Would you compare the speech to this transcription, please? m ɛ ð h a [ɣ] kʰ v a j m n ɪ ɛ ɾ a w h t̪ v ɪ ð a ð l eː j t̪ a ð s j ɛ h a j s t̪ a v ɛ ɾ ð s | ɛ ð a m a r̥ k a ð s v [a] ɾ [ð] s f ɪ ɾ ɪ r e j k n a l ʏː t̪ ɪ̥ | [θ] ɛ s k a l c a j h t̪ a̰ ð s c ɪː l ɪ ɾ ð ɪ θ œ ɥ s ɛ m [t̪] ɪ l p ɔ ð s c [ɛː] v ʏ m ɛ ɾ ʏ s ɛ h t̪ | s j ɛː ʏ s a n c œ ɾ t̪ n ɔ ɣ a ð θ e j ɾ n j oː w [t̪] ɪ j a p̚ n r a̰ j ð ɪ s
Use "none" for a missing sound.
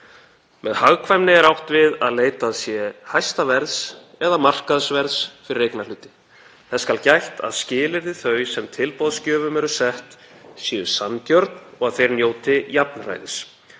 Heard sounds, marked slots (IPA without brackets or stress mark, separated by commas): ɣ, ɛ, ð, θ, t̪ʰ, œː, t̪